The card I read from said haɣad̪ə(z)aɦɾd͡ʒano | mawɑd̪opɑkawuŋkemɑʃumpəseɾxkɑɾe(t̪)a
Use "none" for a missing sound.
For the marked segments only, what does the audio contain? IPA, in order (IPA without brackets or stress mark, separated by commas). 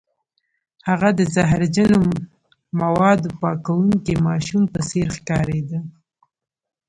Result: z, d̪